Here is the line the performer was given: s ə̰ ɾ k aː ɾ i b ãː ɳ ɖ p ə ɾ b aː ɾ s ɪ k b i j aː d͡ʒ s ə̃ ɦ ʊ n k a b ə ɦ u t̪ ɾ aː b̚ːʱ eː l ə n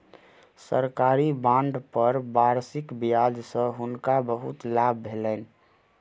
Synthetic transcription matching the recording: s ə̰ ɾ k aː ɾ i b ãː ɳ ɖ p ə ɾ b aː ɾ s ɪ k b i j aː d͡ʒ s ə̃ ɦ ʊ n k a b ə ɦ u t̪ l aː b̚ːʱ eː l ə n